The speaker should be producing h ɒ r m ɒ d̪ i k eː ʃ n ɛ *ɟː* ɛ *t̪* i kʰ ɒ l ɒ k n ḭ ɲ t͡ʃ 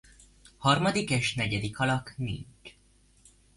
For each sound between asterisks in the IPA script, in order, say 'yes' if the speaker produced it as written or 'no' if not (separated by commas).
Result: no, no